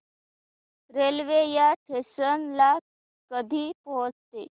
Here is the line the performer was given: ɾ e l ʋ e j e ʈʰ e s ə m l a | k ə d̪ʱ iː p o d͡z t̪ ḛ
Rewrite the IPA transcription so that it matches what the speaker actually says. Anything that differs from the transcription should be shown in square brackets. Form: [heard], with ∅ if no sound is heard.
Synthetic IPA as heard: ɾ e l ʋ e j [a] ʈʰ e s ə [n] l a | k ə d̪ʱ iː p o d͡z t̪ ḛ